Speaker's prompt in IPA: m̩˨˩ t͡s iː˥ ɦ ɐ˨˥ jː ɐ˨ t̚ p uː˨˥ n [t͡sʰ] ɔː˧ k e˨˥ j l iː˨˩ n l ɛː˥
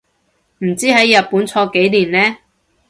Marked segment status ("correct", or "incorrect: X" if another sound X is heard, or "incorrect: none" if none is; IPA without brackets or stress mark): correct